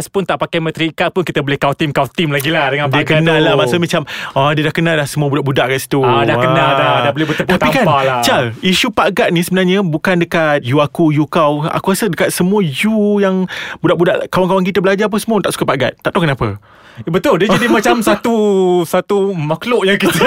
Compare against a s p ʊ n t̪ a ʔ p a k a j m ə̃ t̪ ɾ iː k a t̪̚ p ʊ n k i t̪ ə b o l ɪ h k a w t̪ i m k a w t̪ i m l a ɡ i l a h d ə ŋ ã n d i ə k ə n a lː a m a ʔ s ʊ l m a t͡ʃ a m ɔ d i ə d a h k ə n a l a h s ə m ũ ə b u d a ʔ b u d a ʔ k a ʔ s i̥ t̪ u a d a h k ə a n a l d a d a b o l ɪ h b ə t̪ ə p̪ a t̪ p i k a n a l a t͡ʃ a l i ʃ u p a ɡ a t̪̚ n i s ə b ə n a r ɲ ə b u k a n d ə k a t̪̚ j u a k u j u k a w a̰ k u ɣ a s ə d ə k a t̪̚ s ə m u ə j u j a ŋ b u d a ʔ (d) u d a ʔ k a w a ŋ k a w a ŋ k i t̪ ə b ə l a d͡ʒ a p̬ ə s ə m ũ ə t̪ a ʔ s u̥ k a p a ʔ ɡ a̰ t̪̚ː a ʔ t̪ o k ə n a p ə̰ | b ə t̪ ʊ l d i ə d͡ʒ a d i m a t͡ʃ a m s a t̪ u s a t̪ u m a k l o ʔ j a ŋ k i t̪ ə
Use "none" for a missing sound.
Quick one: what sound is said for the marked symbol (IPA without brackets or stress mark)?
b